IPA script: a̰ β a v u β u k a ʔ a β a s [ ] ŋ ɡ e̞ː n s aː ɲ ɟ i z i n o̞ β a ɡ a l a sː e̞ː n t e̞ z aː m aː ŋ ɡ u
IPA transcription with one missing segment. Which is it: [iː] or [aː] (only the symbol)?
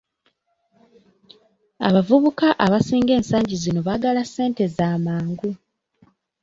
iː